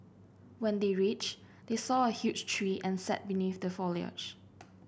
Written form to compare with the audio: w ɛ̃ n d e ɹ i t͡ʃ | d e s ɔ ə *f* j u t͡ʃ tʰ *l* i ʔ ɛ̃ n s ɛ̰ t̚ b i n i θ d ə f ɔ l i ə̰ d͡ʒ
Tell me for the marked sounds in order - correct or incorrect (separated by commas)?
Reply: incorrect, incorrect